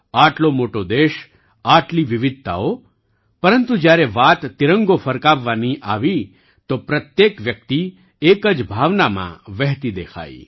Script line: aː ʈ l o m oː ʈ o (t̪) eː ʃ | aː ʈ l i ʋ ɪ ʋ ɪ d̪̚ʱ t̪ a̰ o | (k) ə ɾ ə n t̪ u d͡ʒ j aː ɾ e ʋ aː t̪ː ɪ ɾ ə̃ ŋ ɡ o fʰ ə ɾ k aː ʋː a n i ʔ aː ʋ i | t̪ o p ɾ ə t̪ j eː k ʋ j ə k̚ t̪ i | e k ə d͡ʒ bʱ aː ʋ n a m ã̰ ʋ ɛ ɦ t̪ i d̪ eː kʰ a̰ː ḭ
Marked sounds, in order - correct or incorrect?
incorrect: d̪, incorrect: p

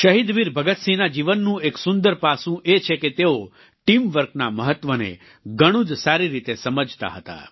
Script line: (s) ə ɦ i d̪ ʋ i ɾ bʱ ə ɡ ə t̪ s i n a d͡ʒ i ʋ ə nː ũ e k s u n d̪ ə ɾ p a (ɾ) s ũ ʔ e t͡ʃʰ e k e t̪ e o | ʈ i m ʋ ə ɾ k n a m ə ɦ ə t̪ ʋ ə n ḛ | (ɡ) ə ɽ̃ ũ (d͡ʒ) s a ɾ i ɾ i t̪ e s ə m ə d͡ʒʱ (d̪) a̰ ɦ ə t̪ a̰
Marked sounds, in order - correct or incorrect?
incorrect: ʃ, incorrect: none, correct, correct, incorrect: t̪

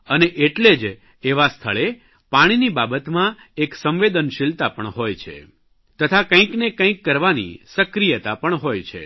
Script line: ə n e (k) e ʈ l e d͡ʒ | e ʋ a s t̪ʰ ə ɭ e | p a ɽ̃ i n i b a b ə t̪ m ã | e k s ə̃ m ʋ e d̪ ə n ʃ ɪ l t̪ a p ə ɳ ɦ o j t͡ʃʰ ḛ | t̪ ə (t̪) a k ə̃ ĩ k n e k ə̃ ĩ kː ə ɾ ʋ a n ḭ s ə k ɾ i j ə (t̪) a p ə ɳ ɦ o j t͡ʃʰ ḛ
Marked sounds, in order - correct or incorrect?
incorrect: ʔ, incorrect: t̪ʰ, correct

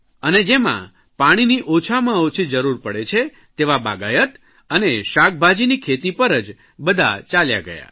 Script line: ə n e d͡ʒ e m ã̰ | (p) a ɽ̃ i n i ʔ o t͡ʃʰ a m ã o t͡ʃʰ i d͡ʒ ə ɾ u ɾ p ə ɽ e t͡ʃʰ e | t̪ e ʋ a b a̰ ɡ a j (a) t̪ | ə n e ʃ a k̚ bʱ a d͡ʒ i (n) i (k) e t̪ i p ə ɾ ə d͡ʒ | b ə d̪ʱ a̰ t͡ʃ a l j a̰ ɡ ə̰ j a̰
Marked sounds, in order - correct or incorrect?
correct, incorrect: ə, correct, incorrect: kʰ

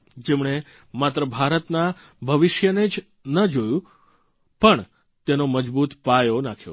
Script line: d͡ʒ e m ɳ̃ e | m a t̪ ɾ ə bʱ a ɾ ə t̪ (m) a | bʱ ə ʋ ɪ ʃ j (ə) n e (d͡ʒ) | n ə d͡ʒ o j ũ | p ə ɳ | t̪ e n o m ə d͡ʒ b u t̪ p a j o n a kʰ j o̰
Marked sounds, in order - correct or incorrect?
incorrect: n, correct, correct

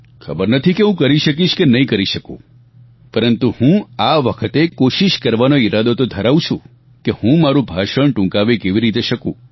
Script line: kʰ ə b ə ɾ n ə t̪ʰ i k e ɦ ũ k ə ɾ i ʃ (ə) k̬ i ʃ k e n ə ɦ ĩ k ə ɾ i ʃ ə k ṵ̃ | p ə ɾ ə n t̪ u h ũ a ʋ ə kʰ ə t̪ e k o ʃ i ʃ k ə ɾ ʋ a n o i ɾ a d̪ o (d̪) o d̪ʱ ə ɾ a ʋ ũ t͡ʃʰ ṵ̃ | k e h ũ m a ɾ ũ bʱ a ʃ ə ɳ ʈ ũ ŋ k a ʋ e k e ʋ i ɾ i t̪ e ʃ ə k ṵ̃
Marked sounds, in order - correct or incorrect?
correct, incorrect: t̪

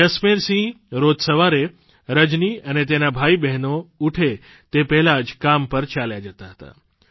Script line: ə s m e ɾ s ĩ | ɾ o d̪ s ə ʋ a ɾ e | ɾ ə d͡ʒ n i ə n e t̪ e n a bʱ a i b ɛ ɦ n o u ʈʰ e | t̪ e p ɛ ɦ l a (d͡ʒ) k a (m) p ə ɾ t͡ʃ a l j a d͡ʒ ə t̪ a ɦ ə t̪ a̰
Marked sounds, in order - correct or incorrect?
correct, correct

